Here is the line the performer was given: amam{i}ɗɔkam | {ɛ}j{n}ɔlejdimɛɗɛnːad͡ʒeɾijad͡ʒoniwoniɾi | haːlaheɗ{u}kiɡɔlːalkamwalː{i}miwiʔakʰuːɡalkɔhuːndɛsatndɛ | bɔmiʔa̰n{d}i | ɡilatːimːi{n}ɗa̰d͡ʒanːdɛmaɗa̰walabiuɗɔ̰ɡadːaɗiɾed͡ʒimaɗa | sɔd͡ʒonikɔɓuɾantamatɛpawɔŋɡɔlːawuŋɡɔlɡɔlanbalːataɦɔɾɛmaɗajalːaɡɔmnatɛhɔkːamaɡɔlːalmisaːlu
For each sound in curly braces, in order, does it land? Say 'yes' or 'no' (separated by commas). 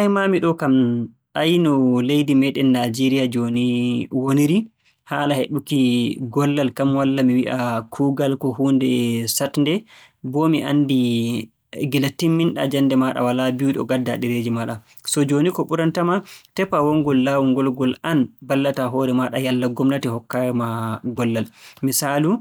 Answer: yes, no, yes, yes, no, yes, yes